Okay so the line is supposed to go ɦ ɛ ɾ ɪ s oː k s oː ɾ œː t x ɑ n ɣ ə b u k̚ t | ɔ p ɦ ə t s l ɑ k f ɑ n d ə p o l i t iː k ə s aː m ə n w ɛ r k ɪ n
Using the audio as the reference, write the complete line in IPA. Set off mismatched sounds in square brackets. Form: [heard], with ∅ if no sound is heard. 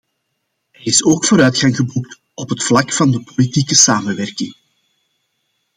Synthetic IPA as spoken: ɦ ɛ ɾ ɪ s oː k [f] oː ɾ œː t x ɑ [ŋ] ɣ ə b u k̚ t | ɔ p ɦ ə t [f] l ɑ k f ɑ n d ə p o l i t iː k ə s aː m ə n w ɛ r k ɪ [ŋ]